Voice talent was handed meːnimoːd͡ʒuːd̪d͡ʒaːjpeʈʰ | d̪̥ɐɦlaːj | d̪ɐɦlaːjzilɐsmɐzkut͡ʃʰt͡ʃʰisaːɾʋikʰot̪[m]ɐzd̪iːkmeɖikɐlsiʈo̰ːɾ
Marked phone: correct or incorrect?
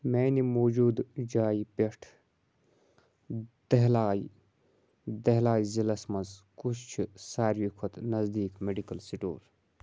incorrect